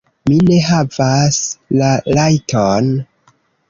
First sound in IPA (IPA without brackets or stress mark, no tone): m